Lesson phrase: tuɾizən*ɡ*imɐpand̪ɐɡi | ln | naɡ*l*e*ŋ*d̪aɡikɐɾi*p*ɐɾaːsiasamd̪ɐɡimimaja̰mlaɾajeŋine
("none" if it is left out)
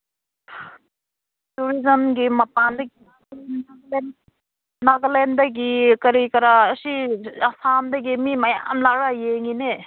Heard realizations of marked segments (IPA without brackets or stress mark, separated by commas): ɡ, l, n, k